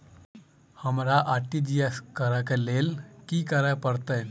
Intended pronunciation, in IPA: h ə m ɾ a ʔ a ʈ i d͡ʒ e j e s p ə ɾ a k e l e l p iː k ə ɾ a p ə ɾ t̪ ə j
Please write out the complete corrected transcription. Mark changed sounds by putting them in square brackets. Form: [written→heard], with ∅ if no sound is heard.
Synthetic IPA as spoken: h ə m ɾ a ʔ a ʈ i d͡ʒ [e→i] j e s [p→k] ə ɾ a k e l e l [p→k] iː k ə ɾ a p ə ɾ t̪ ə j